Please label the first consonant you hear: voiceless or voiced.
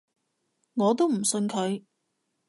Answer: voiced